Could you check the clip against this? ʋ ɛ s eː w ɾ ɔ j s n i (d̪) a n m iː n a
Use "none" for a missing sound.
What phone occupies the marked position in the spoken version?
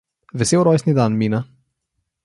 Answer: d̪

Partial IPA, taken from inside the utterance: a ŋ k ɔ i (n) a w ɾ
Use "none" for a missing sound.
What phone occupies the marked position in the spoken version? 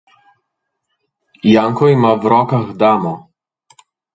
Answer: m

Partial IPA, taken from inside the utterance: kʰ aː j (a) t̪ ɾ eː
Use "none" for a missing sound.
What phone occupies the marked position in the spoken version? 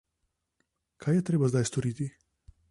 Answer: ɛ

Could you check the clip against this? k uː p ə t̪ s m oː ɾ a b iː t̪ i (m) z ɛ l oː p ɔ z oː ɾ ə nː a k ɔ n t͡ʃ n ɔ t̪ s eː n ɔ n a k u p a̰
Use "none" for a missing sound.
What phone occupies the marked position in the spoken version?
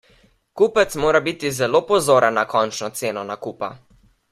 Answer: none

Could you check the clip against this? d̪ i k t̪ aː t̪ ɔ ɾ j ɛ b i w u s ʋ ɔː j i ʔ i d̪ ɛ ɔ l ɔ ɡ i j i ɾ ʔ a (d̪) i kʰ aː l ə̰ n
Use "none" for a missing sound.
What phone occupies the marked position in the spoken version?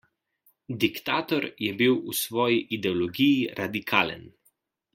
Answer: d̪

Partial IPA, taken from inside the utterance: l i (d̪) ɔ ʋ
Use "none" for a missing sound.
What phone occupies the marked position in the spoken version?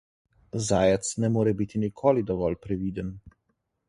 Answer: d̪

